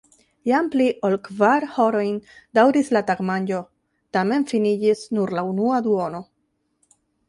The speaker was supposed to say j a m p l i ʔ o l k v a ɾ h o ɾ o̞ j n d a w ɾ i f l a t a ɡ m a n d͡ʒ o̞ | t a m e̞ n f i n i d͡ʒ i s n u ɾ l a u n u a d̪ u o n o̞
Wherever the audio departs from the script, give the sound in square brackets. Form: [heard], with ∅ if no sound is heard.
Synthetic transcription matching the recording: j a m p l i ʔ o l k v a ɾ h o ɾ o̞ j n d a w ɾ i [s] l a t a ɡ m a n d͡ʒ o̞ | t a m e̞ n f i n i d͡ʒ i s n u ɾ l a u n u a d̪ u o n o̞